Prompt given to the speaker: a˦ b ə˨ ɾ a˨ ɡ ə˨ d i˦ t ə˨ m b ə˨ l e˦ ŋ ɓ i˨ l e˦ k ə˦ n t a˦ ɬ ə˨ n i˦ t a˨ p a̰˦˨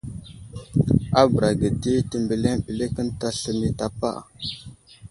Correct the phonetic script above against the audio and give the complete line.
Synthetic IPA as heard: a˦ b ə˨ ɾ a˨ ɡ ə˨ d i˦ t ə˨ m b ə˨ l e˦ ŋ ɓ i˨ l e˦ k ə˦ n t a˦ ɬ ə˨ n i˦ t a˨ p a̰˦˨